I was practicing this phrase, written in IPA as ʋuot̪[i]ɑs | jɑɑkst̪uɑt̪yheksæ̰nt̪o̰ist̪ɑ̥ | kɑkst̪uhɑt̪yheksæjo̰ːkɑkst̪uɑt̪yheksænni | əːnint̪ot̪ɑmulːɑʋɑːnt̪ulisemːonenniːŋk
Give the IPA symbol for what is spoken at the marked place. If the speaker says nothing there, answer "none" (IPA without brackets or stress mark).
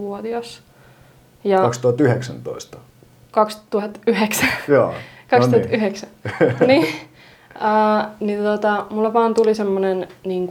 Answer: i